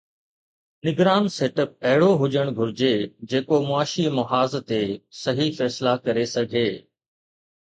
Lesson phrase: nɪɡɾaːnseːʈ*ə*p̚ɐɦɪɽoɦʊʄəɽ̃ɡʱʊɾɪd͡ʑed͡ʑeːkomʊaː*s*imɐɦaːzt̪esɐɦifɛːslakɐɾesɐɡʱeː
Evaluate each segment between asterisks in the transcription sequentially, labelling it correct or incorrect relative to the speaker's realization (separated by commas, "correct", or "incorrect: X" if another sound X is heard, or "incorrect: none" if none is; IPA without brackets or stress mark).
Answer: correct, incorrect: ʃ